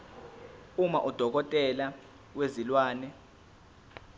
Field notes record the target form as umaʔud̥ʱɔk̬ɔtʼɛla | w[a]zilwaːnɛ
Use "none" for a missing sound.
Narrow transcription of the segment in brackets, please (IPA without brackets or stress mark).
e